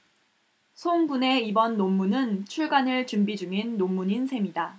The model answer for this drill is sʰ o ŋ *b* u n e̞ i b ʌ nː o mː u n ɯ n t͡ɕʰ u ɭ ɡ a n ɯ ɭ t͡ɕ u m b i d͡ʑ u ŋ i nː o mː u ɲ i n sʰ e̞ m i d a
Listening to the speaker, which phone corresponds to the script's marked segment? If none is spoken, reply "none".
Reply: b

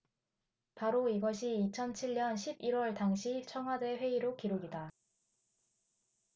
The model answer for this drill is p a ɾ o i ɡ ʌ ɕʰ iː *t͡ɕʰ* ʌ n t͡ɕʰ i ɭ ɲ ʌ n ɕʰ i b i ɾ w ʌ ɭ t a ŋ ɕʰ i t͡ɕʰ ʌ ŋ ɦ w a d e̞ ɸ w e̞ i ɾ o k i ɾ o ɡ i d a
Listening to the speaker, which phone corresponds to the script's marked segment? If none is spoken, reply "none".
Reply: t͡ɕʰ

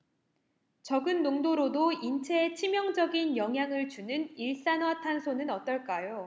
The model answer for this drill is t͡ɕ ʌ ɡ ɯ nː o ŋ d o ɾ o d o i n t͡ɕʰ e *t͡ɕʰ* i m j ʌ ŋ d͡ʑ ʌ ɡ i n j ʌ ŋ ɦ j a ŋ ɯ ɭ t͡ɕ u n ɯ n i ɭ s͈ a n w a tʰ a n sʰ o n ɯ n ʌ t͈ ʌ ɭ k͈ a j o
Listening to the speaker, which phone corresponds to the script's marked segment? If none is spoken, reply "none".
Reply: t͡ɕʰ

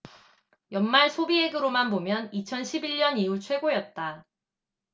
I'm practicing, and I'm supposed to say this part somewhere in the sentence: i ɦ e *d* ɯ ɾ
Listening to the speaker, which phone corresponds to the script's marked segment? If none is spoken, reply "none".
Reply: ɡ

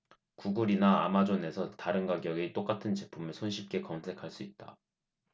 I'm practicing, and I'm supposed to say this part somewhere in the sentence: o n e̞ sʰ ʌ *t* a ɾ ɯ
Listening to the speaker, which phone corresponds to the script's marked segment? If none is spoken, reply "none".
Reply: t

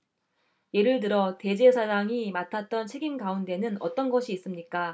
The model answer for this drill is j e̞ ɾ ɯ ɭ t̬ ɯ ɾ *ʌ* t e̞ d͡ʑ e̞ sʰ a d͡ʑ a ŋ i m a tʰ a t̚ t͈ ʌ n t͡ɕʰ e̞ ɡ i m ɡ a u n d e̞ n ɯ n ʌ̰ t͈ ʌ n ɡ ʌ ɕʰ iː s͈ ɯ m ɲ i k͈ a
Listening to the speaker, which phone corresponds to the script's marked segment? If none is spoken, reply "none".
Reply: ʌ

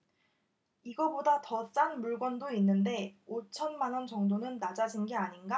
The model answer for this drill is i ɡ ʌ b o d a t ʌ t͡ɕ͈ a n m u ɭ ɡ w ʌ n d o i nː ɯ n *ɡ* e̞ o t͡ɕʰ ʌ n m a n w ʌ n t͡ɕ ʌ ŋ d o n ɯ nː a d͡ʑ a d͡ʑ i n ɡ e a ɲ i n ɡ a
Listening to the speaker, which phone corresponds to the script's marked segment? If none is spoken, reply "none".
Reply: d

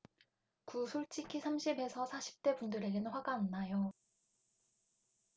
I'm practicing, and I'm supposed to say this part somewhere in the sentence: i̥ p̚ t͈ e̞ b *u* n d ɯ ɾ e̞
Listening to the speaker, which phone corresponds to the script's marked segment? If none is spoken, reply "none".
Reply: u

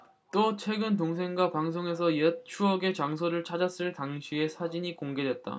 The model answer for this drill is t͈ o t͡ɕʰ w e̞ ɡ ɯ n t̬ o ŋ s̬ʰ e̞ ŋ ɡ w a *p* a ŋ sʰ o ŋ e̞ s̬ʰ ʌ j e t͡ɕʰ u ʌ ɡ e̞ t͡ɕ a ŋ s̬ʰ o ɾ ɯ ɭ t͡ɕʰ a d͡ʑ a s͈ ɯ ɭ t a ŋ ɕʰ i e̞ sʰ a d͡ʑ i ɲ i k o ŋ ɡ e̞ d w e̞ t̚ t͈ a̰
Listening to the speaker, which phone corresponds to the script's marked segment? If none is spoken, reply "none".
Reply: p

